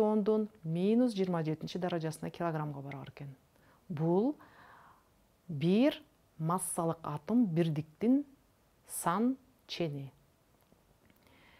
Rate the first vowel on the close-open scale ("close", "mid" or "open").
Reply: mid